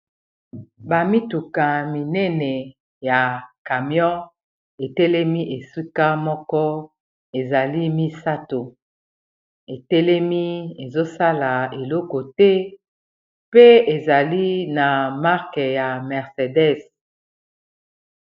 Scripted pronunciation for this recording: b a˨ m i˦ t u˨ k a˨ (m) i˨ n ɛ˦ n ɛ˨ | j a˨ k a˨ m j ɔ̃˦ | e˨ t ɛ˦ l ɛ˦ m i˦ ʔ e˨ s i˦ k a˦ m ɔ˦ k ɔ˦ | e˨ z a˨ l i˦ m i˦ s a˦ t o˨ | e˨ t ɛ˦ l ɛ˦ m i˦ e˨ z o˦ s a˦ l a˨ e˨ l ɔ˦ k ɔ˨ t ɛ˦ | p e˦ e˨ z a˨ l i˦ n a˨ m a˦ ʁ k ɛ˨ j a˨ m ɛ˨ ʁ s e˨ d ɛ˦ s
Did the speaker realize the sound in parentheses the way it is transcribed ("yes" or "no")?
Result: yes